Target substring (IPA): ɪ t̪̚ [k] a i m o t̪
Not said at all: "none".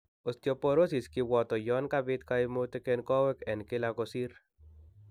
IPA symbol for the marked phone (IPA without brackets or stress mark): k